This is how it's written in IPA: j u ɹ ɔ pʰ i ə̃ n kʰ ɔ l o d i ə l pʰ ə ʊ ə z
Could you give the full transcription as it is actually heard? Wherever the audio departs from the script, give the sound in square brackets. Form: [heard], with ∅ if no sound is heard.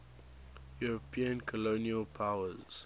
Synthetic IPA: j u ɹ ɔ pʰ i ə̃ n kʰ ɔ l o [n] i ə l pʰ [a] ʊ ə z